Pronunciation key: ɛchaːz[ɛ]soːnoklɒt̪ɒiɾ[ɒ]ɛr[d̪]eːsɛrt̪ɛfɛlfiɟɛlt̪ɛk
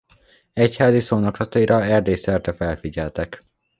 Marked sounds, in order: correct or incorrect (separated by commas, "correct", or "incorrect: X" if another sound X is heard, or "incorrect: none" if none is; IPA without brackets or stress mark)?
incorrect: i, correct, correct